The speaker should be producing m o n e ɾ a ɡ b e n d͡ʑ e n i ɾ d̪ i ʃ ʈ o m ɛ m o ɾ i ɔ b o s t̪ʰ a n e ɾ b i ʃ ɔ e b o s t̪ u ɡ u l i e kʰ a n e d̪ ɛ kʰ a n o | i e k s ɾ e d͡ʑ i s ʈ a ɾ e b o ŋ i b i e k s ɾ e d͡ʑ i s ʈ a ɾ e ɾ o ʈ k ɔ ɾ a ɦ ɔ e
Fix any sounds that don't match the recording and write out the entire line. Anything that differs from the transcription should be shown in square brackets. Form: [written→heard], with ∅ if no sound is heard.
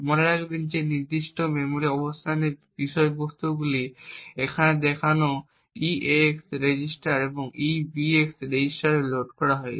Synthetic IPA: m o n e ɾ a ɡ b e n d͡ʑ e n i ɾ d̪ i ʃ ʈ o m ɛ m o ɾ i ɔ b o s t̪ʰ a n e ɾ b i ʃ ɔ e b o s t̪ u ɡ u l i e kʰ a n e d̪ ɛ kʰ a n o | i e k s ɾ e d͡ʑ i s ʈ a ɾ e b o ŋ i b i e k s ɾ e d͡ʑ i s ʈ a ɾ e [ɾ→l] o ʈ k ɔ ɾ a ɦ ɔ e